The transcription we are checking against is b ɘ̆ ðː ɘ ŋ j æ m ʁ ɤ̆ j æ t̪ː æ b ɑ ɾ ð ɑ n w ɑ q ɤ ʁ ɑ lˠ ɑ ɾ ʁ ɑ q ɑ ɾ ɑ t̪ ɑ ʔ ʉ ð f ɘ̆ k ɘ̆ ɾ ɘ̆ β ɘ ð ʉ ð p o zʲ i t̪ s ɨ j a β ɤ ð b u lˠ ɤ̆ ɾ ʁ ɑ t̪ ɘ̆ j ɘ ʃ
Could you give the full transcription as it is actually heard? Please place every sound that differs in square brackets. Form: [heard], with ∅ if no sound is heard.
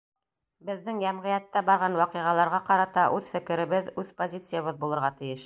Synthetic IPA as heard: b ɘ̆ ðː ɘ ŋ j æ m ʁ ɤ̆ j æ t̪ː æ b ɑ ɾ [ʁ] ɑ n w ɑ q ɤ ʁ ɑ lˠ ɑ ɾ ʁ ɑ q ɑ ɾ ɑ t̪ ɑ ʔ ʉ ð f ɘ̆ k ɘ̆ ɾ ɘ̆ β ɘ ð ʉ ð p o zʲ i t̪ s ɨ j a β ɤ ð b u lˠ ɤ̆ ɾ ʁ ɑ t̪ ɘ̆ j ɘ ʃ